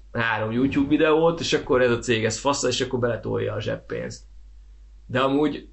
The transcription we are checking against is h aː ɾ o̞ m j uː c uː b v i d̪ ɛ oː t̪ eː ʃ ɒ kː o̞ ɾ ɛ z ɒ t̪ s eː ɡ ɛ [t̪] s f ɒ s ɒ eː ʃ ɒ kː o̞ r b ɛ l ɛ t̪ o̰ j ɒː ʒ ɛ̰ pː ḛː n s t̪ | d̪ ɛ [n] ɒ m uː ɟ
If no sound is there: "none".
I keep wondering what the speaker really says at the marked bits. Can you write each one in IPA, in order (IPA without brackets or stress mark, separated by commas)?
none, none